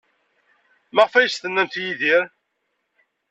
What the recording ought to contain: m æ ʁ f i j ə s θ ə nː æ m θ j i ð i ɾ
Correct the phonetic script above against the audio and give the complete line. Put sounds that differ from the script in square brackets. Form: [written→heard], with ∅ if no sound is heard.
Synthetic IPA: m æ ʁ f [i→æ] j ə s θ ə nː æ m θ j i ð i ɾ